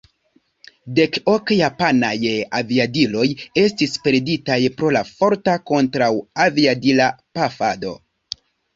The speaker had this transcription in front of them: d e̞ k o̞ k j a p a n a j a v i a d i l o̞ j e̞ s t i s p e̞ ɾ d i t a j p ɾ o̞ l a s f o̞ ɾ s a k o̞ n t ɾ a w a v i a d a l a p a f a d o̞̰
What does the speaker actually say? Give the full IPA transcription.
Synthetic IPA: d e̞ k o̞ k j a p a n a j a v i a d i l o̞ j e̞ s t i s p e̞ ɾ d i t a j p ɾ o̞ l a f o̞ ɾ t a k o̞ n t ɾ a w a v i a d i l a p a f a d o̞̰